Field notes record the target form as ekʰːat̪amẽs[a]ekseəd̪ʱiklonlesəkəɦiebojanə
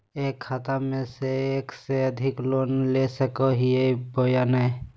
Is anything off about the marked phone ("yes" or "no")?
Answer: yes